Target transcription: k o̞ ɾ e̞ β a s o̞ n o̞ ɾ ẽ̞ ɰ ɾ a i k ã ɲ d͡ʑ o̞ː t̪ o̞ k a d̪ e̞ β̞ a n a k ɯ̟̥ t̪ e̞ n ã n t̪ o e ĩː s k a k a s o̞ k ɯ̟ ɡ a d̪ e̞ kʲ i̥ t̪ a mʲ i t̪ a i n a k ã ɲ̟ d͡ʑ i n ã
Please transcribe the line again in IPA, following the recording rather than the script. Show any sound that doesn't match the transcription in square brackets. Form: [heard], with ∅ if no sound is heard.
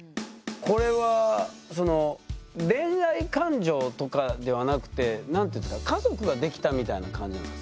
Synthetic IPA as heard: k o̞ ɾ e̞ β a s o̞ n o̞ ɾ ẽ̞ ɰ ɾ a i k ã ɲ d͡ʑ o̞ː t̪ o̞ k a d̪ e̞ β̞ a n a k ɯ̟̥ t̪ e̞ n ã n t̪ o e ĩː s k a k a [z] o̞ k ɯ̟ ɡ a d̪ e̞ kʲ i̥ t̪ a mʲ i t̪ a i n a k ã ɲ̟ d͡ʑ i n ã